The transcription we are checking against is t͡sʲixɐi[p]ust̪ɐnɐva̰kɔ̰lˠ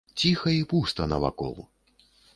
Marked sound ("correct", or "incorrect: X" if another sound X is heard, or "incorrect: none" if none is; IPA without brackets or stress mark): correct